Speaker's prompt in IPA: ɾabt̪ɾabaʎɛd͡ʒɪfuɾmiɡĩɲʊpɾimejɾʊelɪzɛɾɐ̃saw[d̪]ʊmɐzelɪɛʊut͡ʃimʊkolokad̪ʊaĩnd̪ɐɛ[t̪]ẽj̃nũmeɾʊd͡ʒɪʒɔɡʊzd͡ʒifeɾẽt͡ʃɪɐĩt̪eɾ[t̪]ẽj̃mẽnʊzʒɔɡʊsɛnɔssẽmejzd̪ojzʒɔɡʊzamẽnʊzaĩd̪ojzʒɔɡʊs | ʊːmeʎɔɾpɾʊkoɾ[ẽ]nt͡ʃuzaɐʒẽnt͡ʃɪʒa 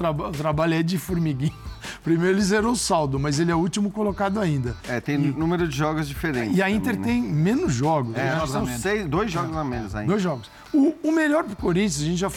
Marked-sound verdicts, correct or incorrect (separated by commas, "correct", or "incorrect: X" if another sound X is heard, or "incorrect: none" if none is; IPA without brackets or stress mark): correct, correct, correct, incorrect: ĩ